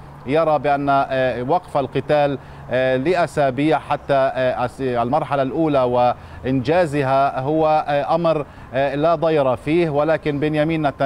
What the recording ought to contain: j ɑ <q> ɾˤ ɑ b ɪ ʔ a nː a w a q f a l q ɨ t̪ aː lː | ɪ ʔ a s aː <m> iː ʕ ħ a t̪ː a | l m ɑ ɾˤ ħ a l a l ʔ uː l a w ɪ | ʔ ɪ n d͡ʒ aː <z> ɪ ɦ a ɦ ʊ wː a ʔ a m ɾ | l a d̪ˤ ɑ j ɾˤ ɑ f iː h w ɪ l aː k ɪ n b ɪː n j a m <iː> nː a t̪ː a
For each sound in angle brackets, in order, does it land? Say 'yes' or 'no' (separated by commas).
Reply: no, no, yes, yes